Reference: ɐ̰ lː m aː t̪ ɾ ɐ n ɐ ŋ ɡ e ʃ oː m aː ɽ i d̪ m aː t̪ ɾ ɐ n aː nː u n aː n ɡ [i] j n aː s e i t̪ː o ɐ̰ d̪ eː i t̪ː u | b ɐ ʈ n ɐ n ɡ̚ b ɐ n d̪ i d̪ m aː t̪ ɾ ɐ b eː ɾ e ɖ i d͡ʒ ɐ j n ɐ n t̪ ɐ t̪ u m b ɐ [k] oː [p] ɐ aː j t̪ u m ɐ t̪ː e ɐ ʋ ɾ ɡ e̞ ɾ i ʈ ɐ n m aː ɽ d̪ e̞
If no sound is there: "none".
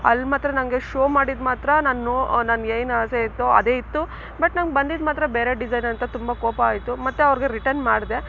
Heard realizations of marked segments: e, k, p

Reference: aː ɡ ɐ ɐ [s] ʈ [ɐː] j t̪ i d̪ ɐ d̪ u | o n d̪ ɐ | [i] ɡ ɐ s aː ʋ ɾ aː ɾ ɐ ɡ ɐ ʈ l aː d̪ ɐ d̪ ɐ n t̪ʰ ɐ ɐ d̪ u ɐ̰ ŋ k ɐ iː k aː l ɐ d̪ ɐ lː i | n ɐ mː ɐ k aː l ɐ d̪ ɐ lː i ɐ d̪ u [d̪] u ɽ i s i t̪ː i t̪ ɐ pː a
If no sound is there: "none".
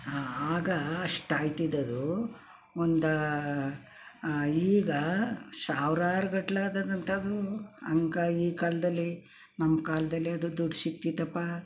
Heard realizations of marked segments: ʂ, aː, iː, d̪

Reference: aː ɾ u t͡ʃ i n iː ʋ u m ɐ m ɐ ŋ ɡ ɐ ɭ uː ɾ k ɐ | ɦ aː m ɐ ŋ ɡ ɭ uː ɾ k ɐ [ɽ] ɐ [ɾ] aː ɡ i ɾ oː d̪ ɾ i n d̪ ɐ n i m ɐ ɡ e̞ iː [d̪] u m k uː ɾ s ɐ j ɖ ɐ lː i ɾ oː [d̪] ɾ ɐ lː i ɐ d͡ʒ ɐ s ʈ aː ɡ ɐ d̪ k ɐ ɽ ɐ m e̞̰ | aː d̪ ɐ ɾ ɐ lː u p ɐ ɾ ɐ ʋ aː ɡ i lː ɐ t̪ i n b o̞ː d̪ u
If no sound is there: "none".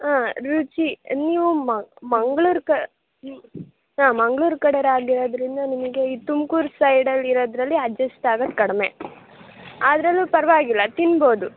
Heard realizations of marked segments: ɽ, ɾ, t̪, d̪

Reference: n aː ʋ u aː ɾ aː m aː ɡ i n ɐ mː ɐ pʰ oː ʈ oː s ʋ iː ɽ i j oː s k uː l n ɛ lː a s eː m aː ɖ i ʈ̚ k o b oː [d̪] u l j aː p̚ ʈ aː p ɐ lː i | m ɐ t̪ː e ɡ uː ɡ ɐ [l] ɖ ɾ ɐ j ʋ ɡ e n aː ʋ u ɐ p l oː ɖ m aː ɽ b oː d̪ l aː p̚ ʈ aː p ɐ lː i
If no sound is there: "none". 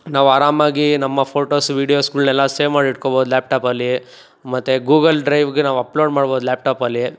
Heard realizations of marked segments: d̪, l

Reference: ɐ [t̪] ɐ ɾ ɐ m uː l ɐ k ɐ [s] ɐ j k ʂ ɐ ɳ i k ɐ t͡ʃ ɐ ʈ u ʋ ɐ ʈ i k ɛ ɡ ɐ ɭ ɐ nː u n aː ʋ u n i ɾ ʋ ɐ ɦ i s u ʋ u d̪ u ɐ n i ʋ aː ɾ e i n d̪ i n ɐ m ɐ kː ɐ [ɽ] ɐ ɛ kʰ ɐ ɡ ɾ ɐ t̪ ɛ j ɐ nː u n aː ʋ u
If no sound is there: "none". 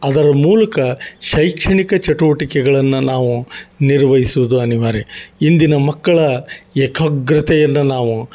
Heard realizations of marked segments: d̪, ʃ, ɭ

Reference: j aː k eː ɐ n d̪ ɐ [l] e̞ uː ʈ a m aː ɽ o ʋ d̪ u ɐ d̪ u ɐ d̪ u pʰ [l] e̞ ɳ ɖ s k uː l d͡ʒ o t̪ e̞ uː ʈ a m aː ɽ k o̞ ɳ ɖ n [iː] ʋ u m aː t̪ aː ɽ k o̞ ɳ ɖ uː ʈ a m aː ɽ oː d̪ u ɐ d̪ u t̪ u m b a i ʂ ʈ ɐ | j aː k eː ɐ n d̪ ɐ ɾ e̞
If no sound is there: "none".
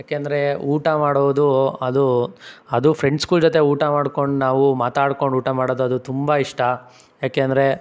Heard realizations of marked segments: ɾ, ɾ, aː

